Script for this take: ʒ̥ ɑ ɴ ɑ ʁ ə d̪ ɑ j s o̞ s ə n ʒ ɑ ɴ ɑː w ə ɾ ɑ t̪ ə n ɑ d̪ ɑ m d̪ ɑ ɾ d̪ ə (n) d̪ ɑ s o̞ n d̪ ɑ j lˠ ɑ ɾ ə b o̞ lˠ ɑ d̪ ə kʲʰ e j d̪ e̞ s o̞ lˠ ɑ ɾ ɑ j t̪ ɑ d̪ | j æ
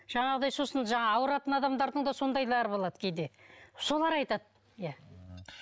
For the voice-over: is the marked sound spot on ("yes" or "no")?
no